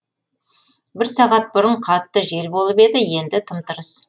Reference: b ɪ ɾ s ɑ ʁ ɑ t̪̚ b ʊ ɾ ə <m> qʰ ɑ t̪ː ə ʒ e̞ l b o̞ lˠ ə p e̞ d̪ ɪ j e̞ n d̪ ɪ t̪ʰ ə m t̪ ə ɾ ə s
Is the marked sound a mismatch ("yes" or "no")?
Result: yes